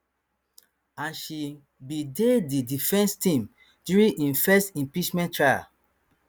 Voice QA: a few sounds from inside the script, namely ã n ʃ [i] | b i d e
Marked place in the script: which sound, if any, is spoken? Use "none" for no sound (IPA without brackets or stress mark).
i